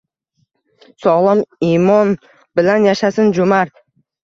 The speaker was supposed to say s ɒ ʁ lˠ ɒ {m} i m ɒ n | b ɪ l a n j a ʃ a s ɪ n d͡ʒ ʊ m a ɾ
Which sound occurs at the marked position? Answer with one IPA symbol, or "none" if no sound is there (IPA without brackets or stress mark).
m